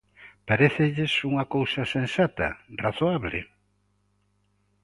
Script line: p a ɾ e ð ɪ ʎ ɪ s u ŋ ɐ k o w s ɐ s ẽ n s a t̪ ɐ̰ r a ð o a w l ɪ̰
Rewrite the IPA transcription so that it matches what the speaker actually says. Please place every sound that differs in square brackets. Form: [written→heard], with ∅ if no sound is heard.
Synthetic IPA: p a ɾ e [ð→θ] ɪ ʎ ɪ s u ŋ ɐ k o w s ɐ s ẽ n s a t̪ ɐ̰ r a [ð→θ] o a [w→β] l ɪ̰